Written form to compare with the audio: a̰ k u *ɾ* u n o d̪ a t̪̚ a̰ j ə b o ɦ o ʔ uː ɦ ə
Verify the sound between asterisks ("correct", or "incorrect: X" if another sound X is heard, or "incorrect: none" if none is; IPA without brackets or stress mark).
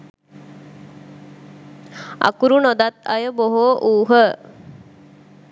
correct